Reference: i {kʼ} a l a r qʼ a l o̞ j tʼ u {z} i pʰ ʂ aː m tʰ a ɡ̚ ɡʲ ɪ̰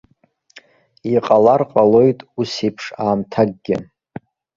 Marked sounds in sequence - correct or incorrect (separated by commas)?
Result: incorrect, incorrect